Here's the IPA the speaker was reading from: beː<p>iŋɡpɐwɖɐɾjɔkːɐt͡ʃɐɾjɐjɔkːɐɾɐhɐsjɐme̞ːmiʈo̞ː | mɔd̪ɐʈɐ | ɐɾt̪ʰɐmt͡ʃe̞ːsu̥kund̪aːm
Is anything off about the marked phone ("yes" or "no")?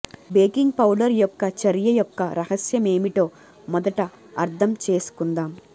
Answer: yes